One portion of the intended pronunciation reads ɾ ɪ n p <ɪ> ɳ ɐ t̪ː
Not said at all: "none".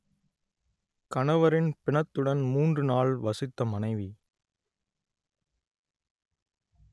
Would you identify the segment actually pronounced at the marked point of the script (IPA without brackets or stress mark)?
ɪ